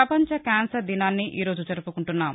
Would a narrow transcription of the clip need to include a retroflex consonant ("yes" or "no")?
yes